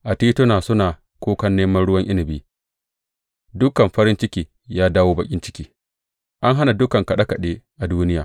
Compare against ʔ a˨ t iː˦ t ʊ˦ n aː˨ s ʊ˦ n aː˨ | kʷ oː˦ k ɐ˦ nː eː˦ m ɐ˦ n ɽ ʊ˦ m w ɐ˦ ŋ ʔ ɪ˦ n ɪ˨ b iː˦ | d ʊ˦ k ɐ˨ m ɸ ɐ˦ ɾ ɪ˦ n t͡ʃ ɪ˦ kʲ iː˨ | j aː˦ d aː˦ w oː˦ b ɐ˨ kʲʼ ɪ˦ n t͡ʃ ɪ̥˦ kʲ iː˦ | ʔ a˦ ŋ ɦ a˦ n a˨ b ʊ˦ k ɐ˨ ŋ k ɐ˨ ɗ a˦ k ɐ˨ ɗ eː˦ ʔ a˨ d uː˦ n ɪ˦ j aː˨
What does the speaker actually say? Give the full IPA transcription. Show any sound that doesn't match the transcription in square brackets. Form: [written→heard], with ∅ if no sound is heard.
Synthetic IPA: ʔ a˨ t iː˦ t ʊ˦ n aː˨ s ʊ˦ n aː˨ | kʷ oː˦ k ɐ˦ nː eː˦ m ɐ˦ n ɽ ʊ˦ [m→∅] w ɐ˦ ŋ ʔ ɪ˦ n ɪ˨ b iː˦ | d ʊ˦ k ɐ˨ m ɸ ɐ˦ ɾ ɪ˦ n t͡ʃ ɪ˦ kʲ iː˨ | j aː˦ d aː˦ w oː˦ b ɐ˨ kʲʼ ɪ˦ n t͡ʃ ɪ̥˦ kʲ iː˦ | ʔ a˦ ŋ ɦ a˦ n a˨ [b→d] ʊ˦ k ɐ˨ ŋ k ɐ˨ ɗ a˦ k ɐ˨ ɗ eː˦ ʔ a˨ d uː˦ n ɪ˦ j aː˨